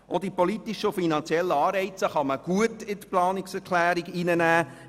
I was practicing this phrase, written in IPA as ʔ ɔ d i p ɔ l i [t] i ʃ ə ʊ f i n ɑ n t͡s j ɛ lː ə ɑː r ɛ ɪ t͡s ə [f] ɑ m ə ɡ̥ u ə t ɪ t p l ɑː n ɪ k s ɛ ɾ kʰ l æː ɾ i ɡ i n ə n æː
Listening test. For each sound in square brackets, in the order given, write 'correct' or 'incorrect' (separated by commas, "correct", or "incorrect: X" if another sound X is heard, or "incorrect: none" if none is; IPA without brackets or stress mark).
correct, incorrect: χ